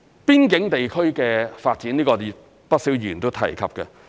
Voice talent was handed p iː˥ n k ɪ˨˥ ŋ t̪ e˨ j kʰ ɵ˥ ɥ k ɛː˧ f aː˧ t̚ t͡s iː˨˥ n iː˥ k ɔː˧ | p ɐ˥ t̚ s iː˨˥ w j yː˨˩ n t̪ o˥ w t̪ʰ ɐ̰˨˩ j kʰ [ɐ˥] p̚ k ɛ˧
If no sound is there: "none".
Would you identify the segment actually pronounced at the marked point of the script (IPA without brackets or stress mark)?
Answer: ɐ˨